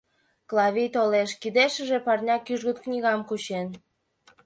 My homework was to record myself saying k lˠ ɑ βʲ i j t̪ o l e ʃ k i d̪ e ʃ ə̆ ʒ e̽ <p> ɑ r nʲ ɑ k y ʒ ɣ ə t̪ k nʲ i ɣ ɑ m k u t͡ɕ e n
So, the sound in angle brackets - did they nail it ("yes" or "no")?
yes